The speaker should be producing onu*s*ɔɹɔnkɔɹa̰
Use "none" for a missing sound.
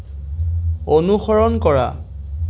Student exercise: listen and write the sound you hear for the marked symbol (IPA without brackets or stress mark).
x